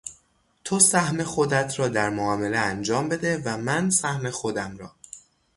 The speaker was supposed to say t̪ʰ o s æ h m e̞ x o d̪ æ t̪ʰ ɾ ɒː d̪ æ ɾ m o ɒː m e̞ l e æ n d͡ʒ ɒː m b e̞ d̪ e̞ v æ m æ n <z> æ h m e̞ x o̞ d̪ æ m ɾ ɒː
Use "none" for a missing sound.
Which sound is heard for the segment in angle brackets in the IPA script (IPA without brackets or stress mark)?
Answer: s